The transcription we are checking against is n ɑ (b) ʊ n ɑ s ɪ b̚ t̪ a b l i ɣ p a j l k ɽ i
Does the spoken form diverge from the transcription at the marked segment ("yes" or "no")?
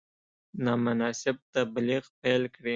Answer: yes